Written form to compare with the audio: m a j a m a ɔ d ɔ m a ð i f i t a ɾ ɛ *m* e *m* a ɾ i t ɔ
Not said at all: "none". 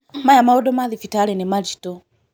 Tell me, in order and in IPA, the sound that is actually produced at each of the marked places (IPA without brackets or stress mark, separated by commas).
n, m